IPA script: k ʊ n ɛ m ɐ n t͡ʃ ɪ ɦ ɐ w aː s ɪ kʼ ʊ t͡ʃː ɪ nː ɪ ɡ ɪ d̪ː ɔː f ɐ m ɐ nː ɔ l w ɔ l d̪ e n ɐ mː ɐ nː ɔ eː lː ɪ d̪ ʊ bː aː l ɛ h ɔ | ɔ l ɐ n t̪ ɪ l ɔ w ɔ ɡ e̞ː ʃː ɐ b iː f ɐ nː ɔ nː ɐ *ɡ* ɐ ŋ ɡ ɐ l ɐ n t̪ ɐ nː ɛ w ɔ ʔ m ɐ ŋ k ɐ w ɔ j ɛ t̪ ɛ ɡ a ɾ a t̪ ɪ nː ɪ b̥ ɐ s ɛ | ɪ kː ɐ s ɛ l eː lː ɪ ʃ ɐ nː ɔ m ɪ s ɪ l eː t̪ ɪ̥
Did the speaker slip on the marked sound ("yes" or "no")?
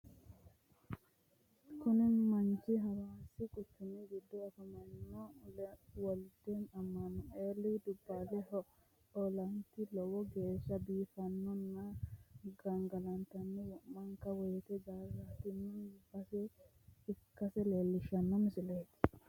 no